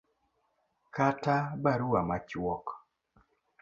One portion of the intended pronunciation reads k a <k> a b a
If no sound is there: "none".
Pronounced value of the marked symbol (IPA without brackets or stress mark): t